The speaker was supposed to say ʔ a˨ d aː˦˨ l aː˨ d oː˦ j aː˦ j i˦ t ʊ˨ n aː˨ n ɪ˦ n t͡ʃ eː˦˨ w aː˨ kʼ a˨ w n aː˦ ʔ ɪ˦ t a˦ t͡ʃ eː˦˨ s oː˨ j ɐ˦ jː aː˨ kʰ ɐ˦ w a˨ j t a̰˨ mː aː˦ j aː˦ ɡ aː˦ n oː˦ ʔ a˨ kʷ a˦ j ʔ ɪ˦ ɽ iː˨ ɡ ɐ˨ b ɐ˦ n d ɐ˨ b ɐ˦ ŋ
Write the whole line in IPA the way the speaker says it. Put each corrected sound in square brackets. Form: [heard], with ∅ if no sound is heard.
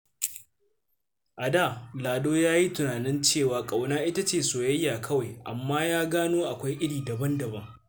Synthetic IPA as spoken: ʔ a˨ d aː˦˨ l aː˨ d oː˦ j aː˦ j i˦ t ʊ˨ n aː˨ n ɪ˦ n t͡ʃ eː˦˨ w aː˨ kʼ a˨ w n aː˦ ʔ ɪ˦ t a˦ t͡ʃ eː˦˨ s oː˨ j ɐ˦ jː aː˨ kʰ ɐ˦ w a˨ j [ʔ] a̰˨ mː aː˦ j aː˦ ɡ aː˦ n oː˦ ʔ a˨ kʷ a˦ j ʔ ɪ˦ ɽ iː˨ [d] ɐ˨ b ɐ˦ n d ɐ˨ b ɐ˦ ŋ